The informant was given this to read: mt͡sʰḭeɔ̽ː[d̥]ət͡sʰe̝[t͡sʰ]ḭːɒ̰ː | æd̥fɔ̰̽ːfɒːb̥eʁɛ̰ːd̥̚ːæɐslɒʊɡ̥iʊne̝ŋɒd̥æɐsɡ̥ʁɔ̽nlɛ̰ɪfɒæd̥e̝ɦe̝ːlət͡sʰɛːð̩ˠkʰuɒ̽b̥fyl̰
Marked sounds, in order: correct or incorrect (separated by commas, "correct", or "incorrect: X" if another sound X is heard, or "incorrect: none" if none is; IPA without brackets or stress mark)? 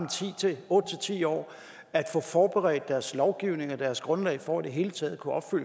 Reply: correct, correct